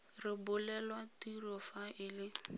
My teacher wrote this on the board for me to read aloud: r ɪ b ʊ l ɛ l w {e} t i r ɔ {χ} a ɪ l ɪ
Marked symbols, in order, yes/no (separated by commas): no, no